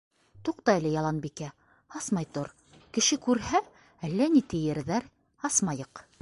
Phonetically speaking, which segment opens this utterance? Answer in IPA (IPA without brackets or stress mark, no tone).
t̪